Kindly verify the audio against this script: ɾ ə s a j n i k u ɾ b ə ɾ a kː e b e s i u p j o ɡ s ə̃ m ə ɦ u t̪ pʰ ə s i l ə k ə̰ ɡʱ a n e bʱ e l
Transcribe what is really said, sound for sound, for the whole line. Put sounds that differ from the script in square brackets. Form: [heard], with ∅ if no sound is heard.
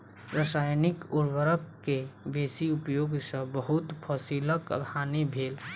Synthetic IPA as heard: ɾ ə s a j n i k u ɾ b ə ɾ [ə] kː e b e s i u p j o ɡ s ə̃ [b] ə ɦ u t̪ pʰ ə s i l ə k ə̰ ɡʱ a n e bʱ e l